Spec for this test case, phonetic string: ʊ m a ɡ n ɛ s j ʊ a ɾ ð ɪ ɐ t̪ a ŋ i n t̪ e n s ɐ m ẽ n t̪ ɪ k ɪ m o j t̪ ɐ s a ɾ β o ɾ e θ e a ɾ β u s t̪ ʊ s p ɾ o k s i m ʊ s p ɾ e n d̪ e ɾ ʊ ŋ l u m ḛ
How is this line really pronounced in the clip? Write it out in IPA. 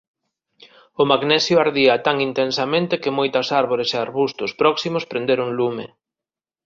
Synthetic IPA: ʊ m a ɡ n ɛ s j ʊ a ɾ ð i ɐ t̪ a ŋ i n t̪ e n s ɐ m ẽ n t̪ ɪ k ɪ m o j t̪ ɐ s a ɾ β o ɾ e s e a ɾ β u s t̪ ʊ s p ɾ ɔ k s i m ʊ s p ɾ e n d̪ e ɾ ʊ ŋ l u m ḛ